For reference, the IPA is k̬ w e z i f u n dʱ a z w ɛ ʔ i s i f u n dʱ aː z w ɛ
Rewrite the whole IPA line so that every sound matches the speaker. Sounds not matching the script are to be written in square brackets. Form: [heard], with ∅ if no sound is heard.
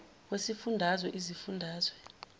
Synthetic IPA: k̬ w e [s] i f u n dʱ a z w ɛ ʔ i [z] i f u n dʱ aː z w ɛ